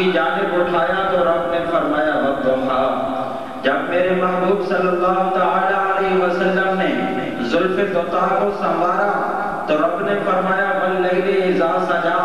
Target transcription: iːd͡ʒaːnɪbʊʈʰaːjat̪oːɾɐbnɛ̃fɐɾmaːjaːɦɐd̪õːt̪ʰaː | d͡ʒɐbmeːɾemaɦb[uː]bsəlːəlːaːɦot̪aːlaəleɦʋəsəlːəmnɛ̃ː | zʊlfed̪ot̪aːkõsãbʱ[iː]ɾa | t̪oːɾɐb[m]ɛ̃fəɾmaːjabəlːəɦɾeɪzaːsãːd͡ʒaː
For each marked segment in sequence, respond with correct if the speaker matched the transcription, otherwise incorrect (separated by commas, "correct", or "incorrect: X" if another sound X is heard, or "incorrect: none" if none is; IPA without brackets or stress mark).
correct, incorrect: aː, incorrect: n